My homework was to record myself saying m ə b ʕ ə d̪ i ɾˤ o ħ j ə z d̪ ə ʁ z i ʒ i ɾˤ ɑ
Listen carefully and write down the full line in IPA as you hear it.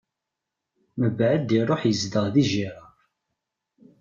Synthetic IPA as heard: m ə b ʕ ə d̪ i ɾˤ o ħ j ə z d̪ ə ʁ ð i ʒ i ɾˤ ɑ